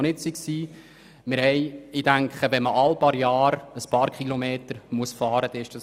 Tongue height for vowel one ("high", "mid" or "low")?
high